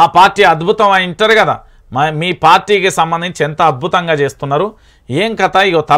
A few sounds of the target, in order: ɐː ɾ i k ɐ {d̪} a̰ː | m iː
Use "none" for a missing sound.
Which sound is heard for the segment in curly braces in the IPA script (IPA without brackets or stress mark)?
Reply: d̪